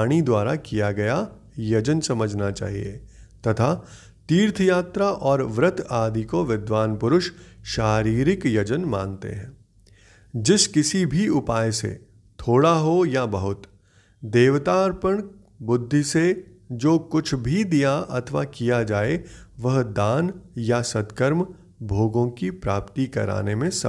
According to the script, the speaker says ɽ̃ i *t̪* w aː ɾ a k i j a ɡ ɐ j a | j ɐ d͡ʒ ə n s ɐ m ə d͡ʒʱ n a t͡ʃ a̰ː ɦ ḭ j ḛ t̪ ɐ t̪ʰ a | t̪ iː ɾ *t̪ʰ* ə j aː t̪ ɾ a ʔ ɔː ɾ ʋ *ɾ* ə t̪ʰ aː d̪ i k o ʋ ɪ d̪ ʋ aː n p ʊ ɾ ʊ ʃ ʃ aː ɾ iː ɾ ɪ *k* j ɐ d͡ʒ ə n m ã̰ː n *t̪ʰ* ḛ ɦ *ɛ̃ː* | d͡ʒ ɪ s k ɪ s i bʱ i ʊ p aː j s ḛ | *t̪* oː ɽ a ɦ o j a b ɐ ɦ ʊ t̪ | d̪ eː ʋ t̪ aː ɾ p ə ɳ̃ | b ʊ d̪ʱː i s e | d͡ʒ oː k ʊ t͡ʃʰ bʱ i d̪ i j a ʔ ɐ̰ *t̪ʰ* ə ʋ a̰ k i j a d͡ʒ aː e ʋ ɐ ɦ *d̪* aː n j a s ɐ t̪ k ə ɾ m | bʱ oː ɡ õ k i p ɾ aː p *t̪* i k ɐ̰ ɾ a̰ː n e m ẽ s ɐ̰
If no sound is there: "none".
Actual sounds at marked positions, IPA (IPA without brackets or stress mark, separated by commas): d̪, t̪ʰ, ɾ, k, t̪, ɛ̃ː, t̪ʰ, t̪ʰ, d̪, t̪